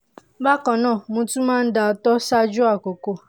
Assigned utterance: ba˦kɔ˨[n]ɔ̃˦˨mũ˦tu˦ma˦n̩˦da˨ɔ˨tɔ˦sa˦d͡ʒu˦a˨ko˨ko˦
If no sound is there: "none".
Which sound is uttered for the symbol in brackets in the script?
n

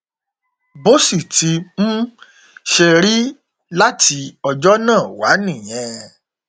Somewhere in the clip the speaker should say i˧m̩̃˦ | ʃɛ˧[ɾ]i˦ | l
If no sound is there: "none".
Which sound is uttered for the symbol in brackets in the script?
ɾ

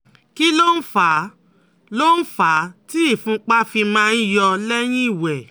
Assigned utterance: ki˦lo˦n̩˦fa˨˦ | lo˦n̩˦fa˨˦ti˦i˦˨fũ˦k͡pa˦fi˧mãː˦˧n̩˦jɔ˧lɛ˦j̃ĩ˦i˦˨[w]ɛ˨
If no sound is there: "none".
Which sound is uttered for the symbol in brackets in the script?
w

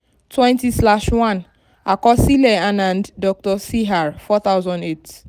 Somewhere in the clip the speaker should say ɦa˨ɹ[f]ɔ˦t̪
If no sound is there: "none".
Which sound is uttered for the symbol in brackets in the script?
f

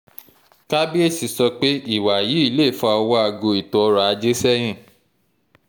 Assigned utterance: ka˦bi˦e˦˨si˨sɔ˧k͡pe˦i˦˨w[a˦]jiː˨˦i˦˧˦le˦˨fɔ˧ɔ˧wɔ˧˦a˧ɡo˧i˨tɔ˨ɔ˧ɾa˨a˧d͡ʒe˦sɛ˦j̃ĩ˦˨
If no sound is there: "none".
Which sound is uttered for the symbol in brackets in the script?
a˨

